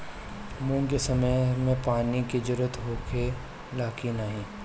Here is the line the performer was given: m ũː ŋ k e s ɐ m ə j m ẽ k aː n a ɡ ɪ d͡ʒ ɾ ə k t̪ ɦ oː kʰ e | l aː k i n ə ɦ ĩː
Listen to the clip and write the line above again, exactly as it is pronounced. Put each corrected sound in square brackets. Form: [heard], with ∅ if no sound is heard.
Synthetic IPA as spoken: m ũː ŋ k e s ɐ m ə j m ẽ [p] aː n [i] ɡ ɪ d͡ʒ ɾ ə [∅] t̪ ɦ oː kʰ e | l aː k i n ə ɦ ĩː